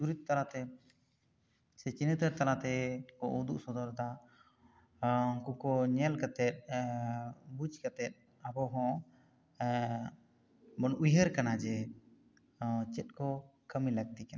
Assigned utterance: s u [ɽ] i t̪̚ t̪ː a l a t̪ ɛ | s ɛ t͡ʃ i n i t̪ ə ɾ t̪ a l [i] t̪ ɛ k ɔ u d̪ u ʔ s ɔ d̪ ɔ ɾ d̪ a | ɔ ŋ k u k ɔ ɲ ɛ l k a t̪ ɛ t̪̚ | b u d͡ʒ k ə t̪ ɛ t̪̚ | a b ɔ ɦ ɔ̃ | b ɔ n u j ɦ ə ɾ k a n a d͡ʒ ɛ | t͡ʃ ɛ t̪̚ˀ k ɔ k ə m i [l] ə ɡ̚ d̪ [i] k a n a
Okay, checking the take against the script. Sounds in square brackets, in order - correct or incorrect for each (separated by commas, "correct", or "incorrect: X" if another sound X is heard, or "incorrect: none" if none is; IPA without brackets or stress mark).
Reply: incorrect: ɾ, incorrect: a, correct, correct